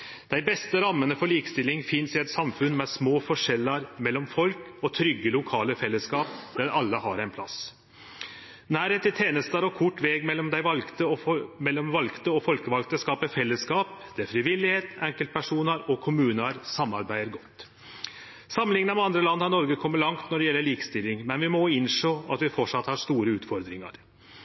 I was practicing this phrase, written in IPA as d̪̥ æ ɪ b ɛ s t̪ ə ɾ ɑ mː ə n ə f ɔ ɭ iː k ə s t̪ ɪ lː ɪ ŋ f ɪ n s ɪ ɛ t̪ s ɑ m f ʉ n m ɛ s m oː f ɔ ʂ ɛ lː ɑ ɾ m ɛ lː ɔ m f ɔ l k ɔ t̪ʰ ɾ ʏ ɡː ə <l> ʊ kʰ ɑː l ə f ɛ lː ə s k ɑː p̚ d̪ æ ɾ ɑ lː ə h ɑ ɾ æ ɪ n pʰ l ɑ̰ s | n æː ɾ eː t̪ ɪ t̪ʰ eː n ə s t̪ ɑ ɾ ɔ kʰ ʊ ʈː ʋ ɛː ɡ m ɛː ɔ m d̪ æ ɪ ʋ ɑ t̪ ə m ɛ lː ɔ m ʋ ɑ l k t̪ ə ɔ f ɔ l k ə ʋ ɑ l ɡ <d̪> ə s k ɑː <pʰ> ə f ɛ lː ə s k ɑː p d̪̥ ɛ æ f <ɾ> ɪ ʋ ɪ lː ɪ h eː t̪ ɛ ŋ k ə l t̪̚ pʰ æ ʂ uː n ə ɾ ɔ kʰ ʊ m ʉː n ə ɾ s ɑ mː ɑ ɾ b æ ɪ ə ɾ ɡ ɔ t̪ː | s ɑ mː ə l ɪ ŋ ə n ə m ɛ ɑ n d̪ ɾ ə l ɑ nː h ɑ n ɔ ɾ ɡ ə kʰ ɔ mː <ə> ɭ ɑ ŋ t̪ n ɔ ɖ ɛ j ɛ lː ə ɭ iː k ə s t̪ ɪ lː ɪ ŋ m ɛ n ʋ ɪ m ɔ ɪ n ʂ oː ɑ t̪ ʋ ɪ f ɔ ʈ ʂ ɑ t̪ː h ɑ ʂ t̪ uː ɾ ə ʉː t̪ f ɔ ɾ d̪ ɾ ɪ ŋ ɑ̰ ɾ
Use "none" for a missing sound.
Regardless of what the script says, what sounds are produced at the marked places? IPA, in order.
l, t̪, p, ɾ, ə

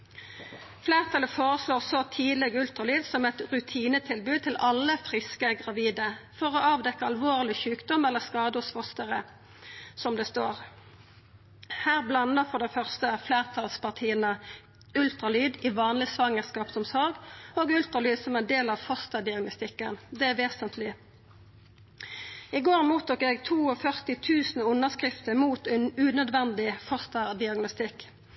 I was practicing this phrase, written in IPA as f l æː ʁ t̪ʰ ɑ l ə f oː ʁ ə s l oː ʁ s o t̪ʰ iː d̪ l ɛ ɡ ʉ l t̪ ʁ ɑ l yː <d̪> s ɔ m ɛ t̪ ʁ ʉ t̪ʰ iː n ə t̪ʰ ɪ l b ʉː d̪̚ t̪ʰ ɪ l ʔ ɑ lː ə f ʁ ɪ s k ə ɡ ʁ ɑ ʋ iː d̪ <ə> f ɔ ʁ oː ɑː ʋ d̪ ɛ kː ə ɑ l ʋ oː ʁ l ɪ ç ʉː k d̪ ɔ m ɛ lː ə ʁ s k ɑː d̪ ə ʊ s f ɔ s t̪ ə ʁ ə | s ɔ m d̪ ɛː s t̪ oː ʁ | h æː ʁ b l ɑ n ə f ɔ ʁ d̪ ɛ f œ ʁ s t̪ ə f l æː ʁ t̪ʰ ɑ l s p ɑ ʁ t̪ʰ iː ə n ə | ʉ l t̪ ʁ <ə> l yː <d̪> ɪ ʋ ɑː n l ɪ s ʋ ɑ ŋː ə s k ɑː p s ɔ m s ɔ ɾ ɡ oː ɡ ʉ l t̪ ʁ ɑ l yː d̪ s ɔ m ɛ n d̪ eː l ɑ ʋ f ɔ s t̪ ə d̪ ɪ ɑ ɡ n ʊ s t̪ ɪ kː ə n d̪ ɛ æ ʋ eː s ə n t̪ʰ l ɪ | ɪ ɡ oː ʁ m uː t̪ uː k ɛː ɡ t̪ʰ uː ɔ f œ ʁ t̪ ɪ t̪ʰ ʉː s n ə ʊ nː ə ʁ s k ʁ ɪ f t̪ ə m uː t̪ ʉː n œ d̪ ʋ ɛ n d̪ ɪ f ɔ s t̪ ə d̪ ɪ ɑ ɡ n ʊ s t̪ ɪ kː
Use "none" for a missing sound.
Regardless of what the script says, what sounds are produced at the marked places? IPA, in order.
d̪, ə, ɑ, d̪

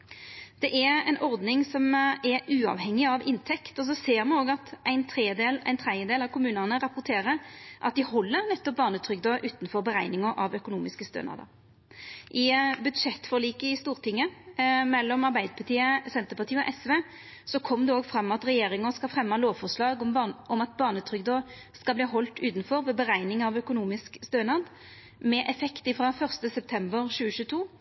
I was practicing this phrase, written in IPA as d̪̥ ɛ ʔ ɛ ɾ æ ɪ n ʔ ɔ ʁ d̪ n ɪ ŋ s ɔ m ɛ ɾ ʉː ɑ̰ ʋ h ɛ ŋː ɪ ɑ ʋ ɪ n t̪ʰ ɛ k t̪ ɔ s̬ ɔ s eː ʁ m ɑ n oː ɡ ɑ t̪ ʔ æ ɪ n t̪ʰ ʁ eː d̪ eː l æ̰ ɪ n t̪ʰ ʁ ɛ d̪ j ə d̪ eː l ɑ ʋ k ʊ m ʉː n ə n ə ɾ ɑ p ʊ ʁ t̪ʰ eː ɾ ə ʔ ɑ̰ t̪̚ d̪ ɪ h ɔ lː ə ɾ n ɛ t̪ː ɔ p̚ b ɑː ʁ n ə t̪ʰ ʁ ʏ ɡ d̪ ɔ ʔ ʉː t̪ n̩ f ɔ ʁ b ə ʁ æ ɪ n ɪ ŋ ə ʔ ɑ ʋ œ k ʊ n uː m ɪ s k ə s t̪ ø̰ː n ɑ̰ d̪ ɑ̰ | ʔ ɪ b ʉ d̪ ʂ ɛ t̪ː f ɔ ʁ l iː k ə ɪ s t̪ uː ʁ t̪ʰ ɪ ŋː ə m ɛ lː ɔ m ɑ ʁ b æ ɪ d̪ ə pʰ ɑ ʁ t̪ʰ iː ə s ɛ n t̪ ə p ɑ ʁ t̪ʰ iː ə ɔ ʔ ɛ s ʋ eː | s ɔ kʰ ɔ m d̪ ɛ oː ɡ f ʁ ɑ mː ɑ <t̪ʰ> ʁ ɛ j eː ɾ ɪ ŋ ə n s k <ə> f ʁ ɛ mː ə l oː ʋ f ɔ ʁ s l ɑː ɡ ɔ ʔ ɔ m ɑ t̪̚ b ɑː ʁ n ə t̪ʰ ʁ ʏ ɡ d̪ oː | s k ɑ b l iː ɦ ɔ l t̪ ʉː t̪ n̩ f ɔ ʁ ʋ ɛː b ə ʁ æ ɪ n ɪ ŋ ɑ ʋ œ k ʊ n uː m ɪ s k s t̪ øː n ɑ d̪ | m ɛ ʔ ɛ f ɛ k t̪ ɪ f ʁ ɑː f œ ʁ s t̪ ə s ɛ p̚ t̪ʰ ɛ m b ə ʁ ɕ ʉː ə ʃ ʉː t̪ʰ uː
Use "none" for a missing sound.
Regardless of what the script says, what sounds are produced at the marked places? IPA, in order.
t̪, ɑ

